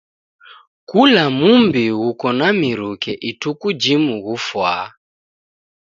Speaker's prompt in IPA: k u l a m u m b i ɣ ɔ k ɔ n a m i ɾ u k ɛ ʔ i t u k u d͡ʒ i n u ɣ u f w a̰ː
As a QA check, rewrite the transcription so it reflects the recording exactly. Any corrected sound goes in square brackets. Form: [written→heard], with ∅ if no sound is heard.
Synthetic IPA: k u l a m u m b i ɣ [ɔ→u] k ɔ n a m i ɾ u k ɛ ʔ i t u k u d͡ʒ i [n→m] u ɣ u f w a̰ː

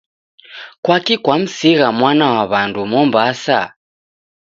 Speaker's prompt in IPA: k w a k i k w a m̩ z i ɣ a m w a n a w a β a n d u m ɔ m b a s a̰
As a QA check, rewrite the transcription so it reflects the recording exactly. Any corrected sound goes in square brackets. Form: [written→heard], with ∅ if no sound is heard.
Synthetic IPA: k w a k i k w a m̩ [z→s] i ɣ a m w a n a w a β a n d u m ɔ m b a s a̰

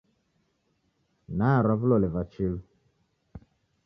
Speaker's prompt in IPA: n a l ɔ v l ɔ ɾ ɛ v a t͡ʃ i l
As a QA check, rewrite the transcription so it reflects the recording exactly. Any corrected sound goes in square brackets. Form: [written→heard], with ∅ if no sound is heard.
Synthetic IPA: n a [l→ɾ] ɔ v l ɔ [ɾ→l] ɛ v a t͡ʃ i l

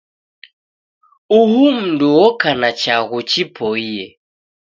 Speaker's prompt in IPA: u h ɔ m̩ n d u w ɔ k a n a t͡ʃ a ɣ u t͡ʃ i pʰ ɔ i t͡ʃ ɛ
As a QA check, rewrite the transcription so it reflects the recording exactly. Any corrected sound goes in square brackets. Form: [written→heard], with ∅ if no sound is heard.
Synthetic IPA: u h [ɔ→u] m̩ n d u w ɔ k a n a t͡ʃ a ɣ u t͡ʃ i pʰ ɔ i [t͡ʃ→∅] ɛ

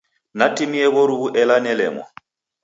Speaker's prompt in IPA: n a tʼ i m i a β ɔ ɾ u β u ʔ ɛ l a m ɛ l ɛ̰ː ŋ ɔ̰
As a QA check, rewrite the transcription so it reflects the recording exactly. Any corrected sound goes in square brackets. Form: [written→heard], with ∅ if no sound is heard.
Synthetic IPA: n a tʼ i m i [a→ɛ] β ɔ ɾ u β u ʔ ɛ l a [m→n] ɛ l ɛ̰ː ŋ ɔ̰

